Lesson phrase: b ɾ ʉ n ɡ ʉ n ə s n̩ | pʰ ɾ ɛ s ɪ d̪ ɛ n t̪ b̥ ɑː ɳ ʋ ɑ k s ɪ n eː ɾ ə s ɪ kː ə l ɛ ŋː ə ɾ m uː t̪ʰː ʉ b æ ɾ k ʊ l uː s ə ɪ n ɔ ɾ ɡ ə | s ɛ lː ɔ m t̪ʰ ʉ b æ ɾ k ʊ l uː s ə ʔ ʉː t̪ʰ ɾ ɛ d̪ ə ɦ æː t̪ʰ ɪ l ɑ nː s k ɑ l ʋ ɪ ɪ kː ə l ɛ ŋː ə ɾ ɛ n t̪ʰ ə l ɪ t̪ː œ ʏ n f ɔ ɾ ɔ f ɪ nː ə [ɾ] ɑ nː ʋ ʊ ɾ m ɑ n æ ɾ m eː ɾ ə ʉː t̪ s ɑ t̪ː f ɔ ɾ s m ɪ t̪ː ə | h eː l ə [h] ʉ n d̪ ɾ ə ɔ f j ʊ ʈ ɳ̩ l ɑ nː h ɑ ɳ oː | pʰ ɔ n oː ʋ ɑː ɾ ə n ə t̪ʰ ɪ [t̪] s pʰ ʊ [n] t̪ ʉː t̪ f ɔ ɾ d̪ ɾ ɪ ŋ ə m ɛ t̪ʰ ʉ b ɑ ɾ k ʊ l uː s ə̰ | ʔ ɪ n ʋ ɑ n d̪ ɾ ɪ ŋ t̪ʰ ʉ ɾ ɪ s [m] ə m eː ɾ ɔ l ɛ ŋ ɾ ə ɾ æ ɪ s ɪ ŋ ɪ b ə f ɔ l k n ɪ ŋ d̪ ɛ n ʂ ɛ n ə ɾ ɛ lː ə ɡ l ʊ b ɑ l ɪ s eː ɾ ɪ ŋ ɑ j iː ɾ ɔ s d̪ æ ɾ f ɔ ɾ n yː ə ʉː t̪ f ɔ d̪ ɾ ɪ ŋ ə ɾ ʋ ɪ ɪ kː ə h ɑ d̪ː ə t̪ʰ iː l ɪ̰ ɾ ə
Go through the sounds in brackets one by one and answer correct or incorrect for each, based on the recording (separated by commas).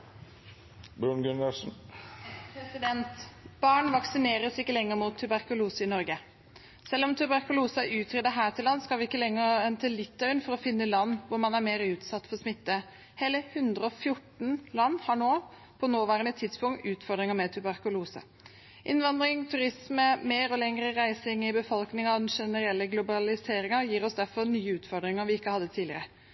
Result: incorrect, correct, incorrect, incorrect, correct